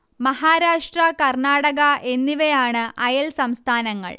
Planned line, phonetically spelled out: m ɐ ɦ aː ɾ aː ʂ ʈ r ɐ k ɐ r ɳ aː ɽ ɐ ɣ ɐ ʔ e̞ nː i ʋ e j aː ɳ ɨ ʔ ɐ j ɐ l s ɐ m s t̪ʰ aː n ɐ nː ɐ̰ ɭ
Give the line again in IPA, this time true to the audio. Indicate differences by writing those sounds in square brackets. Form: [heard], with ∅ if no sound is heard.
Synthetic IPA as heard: m ɐ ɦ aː ɾ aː ʂ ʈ r ɐ k ɐ r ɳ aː ɽ ɐ ɣ ɐ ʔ e̞ nː i ʋ e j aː ɳ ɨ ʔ ɐ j ɐ l s ɐ m s t̪ʰ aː n ɐ [ŋː] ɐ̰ ɭ